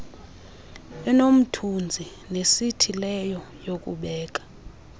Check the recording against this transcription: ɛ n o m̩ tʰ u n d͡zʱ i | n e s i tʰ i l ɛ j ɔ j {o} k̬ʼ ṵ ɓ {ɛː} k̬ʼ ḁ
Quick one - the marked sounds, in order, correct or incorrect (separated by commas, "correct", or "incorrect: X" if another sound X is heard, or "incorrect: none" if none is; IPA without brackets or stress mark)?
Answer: correct, correct